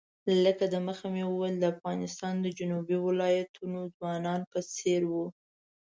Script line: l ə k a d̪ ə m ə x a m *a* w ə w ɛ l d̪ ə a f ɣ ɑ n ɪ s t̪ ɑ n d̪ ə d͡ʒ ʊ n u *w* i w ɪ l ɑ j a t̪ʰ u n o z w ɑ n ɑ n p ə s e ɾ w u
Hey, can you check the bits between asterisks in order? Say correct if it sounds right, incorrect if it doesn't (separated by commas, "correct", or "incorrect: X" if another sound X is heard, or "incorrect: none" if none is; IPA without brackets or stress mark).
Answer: incorrect: e, incorrect: b